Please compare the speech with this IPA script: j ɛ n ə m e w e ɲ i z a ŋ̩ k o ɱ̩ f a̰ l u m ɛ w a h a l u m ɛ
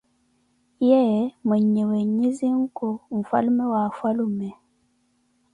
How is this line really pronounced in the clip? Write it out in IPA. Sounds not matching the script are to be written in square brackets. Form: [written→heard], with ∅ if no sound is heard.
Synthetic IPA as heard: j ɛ [n→m] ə [m→ɲ] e w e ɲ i z [a→i] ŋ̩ k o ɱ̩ f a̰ l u m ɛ w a [h→f] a l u m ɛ